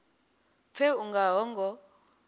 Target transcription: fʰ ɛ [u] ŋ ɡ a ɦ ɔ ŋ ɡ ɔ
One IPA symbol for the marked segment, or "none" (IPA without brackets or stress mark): u